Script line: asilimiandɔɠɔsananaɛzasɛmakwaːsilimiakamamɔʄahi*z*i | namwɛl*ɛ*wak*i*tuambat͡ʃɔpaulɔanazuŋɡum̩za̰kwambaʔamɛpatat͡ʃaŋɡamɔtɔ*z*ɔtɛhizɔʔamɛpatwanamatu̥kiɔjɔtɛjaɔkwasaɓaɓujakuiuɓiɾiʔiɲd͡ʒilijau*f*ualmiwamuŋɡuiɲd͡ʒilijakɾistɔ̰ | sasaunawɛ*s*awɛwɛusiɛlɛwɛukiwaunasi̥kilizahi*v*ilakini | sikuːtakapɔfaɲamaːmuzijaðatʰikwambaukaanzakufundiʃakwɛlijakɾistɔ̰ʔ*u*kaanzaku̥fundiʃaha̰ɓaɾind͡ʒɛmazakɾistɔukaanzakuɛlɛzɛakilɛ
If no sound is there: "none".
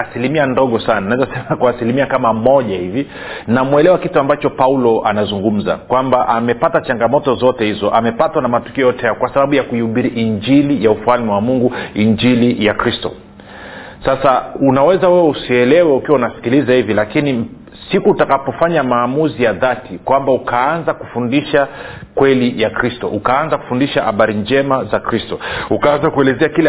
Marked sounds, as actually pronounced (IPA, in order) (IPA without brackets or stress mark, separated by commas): v, ɛ, i, z, f, z, v, u